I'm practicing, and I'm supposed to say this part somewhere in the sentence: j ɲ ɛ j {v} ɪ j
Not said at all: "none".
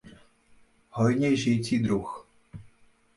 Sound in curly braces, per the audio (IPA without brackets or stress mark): ʒ